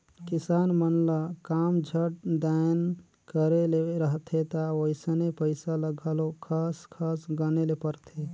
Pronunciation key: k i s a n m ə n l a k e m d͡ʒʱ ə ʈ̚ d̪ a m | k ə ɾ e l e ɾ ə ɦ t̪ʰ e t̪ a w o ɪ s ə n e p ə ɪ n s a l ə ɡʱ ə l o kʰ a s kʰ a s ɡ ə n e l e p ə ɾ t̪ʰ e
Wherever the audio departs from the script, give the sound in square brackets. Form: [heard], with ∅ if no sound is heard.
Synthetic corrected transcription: k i s a n m ə n l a k [a] m d͡ʒʱ ə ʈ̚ d̪ a [n] | k ə ɾ e l e ɾ ə ɦ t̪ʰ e t̪ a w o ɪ s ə n e p ə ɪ [∅] s a l ə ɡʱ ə l o kʰ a s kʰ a s ɡ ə n e l e p ə ɾ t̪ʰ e